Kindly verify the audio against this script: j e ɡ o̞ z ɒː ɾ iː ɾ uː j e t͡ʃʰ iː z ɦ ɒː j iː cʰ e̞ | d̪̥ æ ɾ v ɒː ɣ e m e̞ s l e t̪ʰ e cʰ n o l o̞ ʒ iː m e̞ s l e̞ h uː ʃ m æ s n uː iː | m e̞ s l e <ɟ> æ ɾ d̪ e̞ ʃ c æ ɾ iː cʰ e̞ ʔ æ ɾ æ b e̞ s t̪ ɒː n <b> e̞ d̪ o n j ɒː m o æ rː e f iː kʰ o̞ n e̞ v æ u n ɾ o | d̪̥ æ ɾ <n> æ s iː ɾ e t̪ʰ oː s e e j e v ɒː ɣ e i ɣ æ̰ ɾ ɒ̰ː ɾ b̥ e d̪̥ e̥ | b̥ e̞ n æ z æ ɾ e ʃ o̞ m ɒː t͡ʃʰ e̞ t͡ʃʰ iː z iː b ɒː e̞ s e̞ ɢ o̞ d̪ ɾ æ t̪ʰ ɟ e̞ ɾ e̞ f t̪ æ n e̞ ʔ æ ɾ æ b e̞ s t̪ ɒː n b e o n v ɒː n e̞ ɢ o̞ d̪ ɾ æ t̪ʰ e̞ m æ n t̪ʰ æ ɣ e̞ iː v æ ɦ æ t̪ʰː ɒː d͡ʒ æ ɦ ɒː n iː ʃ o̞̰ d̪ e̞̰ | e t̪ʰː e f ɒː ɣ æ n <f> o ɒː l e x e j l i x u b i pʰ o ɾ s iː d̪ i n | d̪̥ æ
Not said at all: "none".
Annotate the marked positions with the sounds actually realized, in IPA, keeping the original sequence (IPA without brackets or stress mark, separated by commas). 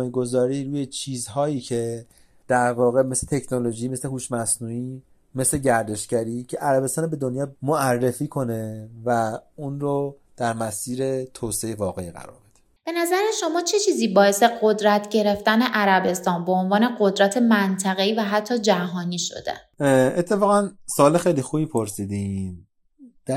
ɟ, b, m, s